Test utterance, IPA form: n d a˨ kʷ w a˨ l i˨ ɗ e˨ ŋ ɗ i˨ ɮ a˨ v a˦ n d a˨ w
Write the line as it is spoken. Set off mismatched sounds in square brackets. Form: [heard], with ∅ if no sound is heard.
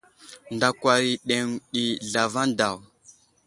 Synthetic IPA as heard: n d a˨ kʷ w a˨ [ɾ] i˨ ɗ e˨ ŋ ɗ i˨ ɮ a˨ v a˦ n d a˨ w